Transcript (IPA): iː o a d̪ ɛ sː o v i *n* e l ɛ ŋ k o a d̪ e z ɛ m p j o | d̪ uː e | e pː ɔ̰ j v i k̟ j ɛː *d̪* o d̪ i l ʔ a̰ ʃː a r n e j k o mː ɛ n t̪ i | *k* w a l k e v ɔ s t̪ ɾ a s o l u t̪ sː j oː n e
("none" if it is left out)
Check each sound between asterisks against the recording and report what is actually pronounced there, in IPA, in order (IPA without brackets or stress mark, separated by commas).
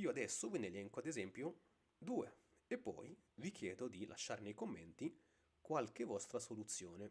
n, d̪, k